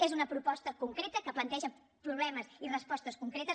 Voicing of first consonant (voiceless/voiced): voiced